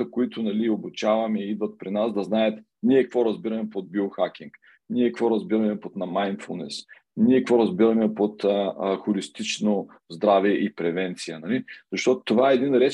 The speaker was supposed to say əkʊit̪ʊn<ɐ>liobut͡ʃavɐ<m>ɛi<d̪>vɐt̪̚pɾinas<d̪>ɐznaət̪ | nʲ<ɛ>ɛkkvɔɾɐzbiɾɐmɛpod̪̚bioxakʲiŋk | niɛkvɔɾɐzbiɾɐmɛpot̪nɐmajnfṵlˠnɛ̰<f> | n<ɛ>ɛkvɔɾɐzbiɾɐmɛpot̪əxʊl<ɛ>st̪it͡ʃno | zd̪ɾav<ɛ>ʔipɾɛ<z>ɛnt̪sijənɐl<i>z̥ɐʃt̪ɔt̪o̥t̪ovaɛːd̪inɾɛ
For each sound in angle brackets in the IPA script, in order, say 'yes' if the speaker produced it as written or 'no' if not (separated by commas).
yes, yes, yes, yes, no, no, no, no, yes, no, yes